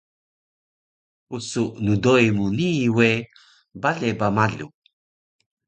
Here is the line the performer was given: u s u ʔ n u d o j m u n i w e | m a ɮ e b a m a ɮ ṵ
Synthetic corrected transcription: u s u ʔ n u d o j m u n i w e | b a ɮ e b a m a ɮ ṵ